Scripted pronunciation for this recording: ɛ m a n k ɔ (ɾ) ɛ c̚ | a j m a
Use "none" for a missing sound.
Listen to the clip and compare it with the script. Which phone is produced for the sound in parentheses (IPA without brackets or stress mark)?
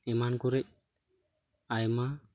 ɾ